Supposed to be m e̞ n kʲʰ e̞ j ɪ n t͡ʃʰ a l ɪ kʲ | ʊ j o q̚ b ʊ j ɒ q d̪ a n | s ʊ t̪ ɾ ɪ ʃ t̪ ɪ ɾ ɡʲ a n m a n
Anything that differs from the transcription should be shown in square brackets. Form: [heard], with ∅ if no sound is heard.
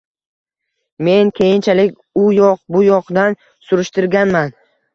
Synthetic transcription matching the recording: m e̞ n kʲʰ e̞ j ɪ n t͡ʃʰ a l ɪ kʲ | ʊ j [ɒ] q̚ b ʊ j ɒ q d̪ a n | s ʊ [∅] ɾ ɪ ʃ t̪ ɪ ɾ ɡʲ a n m a n